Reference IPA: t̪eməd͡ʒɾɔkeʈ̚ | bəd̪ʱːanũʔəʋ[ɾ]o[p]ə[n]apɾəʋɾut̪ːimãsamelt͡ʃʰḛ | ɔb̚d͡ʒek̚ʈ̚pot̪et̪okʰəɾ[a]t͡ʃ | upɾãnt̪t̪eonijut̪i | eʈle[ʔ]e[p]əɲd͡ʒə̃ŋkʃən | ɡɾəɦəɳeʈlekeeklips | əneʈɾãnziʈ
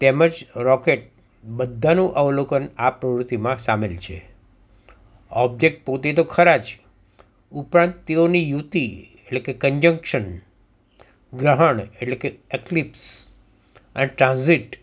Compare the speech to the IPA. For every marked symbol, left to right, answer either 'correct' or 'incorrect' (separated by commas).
incorrect, incorrect, correct, correct, incorrect, incorrect